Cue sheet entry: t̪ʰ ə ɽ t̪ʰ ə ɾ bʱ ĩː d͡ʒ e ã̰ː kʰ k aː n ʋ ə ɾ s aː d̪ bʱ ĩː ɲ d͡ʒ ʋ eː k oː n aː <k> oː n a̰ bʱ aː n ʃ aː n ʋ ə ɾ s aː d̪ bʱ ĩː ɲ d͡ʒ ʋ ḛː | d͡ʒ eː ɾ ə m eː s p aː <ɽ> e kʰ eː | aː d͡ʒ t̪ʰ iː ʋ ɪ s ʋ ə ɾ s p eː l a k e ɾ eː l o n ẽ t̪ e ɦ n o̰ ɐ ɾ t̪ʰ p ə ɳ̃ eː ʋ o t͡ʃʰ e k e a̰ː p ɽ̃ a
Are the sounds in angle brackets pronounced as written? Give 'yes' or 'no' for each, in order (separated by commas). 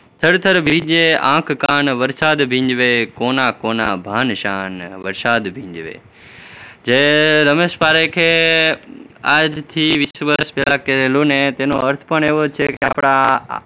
yes, no